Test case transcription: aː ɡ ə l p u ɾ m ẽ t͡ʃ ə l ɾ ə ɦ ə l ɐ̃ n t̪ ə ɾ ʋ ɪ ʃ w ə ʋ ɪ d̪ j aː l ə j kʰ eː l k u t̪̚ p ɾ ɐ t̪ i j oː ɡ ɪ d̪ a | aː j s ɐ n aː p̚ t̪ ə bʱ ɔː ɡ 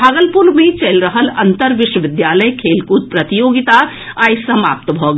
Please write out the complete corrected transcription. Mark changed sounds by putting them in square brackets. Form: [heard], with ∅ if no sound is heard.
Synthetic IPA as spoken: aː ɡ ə l p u ɾ m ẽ t͡ʃ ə l ɾ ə ɦ ə l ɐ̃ n t̪ ə ɾ ʋ ɪ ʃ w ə ʋ ɪ d̪ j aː l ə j kʰ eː l k u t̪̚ p ɾ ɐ t̪ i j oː ɡ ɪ [t̪] a | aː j s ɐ [m] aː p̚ t̪ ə bʱ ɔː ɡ